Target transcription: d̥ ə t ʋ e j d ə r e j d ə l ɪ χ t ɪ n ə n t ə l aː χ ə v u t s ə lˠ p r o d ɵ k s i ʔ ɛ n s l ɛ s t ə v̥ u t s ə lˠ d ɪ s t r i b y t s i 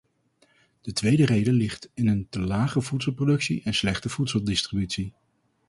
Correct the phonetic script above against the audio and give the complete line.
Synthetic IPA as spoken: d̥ ə t ʋ e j d ə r e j d ə l ɪ χ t ɪ n ə n t ə l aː χ ə v u t s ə lˠ p r o d ɵ k s i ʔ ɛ n s l ɛ χ t ə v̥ u t s ə lˠ d ɪ s t r i b y t s i